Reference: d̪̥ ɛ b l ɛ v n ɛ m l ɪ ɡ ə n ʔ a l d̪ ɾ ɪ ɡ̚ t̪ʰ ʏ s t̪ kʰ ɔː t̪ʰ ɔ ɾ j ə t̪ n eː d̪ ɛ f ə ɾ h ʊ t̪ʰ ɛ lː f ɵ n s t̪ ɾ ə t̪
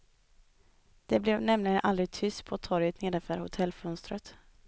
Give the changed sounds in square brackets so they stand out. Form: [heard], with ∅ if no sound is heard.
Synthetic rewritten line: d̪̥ ɛ b l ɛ v n ɛ m l ɪ ɡ ə n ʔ a l d̪ ɾ ɪ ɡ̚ t̪ʰ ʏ s t̪ [pʰ] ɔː t̪ʰ ɔ ɾ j ə t̪ n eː d̪ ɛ f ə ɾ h ʊ t̪ʰ ɛ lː f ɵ n s t̪ ɾ ə t̪